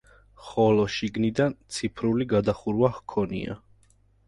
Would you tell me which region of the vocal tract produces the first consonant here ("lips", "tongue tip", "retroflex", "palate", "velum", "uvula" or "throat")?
uvula